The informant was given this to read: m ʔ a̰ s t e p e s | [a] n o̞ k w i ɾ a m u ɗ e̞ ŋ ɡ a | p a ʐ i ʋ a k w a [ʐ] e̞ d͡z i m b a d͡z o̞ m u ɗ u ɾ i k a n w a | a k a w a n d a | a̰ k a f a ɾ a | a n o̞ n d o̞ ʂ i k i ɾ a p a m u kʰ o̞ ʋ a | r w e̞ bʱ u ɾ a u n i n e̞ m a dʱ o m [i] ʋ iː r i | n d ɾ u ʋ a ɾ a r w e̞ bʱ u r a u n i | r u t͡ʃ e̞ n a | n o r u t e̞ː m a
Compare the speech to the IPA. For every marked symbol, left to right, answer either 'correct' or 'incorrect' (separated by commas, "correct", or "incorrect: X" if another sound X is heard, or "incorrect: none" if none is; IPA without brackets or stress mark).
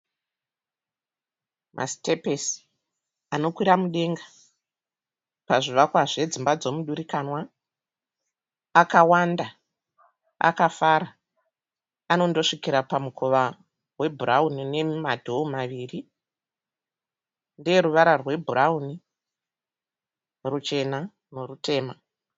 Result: correct, correct, incorrect: a